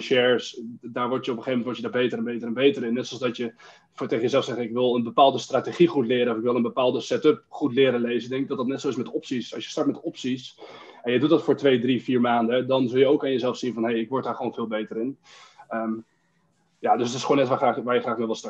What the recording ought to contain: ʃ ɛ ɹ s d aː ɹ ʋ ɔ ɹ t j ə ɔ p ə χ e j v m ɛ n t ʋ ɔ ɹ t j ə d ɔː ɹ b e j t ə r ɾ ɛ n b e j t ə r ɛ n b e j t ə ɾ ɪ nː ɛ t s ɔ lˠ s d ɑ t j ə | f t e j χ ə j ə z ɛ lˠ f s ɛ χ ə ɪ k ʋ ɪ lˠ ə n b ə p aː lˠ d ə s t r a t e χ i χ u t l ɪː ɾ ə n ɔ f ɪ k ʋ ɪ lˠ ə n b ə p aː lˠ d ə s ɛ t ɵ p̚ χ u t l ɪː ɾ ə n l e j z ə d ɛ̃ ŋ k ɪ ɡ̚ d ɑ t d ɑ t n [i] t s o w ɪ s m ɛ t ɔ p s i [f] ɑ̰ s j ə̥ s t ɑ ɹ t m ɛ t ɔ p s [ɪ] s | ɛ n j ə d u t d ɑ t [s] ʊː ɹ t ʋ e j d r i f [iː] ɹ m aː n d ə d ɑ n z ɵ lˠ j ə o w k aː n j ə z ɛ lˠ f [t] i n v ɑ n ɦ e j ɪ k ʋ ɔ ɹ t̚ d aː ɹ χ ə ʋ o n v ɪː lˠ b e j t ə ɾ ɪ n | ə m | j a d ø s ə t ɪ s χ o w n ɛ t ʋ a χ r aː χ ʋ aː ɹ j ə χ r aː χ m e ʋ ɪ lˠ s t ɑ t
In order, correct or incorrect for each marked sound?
incorrect, incorrect, incorrect, incorrect, correct, incorrect

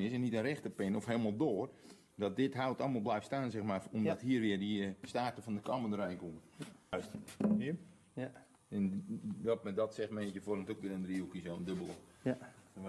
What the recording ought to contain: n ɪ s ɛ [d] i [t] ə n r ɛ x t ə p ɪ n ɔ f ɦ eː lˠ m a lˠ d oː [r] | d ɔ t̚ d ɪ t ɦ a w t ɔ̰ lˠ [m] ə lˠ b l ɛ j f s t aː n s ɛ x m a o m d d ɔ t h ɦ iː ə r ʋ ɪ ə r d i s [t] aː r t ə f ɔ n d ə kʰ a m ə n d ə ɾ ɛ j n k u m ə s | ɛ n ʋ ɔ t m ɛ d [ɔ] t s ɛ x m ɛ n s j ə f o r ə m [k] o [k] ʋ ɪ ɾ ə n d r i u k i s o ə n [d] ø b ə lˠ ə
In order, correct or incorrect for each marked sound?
incorrect, correct, correct, correct, correct, correct, incorrect, correct, correct

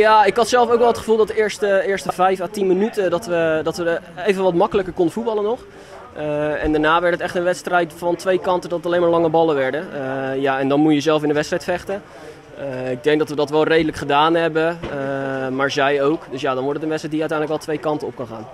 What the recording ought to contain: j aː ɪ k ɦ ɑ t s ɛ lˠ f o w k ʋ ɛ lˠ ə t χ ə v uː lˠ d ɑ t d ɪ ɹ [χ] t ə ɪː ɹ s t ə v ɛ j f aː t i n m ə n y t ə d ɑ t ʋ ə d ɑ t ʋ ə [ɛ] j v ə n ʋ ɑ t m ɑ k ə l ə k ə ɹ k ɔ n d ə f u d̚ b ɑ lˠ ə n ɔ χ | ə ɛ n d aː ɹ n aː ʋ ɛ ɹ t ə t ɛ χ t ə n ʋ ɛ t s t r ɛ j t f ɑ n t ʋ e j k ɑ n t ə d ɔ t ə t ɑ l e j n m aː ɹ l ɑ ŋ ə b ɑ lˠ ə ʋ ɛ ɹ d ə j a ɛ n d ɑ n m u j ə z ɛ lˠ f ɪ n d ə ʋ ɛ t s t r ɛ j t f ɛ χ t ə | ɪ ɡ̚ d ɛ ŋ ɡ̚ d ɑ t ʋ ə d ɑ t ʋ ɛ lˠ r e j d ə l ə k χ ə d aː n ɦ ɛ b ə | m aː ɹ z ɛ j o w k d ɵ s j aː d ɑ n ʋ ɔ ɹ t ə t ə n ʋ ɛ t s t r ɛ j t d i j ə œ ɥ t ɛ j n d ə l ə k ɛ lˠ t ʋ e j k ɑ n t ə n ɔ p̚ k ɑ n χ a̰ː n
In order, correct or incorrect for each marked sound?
incorrect, incorrect

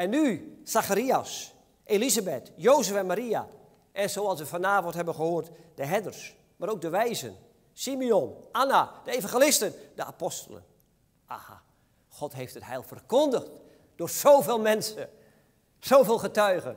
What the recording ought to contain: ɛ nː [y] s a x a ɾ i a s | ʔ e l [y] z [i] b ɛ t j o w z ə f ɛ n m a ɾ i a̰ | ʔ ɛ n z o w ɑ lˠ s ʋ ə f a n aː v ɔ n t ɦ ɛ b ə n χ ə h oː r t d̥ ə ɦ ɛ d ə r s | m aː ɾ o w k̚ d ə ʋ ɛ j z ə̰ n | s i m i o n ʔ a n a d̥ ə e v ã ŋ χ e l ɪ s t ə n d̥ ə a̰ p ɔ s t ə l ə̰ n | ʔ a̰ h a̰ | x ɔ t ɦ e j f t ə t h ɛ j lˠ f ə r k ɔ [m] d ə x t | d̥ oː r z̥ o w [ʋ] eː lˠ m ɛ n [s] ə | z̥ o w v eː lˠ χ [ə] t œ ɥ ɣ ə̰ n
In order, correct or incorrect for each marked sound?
correct, incorrect, incorrect, incorrect, incorrect, correct, correct

